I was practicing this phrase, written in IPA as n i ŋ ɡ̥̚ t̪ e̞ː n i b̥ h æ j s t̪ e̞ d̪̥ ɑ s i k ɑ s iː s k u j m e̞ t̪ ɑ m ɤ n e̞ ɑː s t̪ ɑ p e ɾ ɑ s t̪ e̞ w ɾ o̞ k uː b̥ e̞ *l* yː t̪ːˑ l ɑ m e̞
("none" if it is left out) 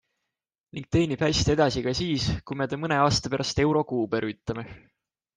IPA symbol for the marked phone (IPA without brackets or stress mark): ɾ